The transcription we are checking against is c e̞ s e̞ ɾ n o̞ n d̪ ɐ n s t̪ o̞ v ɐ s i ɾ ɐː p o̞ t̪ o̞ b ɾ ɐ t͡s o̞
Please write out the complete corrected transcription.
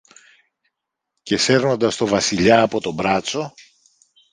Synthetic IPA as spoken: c e̞ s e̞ ɾ n o̞ n d̪ ɐ s t̪ o̞ v ɐ s i ʎ ɐː p o̞ t̪ o̞ b ɾ ɐ t͡s o̞